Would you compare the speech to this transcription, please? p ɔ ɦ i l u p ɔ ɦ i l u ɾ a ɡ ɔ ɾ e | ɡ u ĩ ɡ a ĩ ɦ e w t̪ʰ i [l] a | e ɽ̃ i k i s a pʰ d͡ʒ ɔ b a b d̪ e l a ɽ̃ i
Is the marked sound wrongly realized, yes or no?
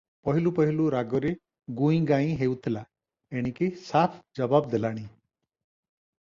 no